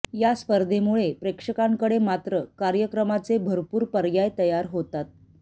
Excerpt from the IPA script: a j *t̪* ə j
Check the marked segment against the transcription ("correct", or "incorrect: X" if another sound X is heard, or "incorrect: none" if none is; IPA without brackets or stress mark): correct